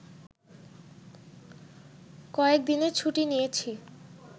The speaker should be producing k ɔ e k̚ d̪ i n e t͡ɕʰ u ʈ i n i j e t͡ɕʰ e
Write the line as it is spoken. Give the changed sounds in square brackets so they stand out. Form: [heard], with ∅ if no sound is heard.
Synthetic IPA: k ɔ e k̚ d̪ i n e t͡ɕʰ u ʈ i n i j e t͡ɕʰ [i]